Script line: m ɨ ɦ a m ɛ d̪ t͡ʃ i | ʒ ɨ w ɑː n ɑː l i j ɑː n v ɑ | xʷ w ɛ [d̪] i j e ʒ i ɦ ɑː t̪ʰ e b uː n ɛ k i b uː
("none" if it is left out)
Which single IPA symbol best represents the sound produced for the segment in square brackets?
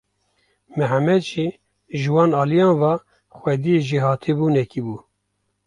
d̪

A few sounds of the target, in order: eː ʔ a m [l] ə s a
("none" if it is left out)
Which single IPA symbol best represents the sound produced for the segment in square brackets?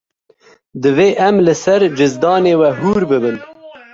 l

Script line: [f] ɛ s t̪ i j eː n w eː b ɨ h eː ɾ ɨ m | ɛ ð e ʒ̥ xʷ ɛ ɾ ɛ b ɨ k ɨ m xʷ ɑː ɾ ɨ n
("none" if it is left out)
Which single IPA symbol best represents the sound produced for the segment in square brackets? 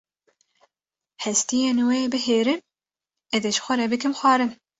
h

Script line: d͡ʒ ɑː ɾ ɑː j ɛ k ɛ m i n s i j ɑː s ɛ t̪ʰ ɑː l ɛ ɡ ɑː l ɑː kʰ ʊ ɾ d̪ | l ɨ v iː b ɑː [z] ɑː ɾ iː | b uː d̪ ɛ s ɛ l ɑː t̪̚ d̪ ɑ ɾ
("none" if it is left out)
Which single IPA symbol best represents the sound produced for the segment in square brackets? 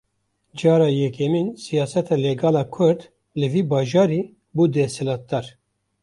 ʒ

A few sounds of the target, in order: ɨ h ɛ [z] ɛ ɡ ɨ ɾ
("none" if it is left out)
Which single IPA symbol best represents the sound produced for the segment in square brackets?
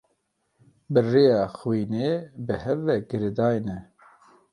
v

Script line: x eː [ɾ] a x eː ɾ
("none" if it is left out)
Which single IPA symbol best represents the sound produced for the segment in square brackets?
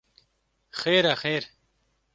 ɾ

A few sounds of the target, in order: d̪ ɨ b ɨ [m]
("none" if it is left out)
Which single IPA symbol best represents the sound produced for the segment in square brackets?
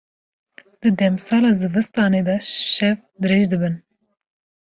n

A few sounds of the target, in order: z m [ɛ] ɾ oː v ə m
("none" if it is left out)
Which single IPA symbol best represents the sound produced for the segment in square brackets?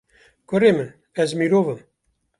i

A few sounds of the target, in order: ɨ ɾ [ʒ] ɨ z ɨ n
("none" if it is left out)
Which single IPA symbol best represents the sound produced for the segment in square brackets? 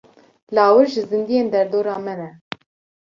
ʒ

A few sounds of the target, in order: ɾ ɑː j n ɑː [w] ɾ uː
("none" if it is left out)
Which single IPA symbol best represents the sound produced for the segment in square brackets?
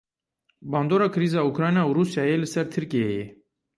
u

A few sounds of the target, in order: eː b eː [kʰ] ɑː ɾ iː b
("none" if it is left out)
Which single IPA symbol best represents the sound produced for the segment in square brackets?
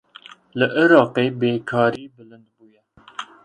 kʰ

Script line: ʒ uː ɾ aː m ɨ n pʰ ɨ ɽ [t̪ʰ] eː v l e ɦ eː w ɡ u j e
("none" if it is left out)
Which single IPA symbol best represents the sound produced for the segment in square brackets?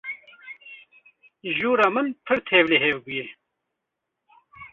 t̪ʰ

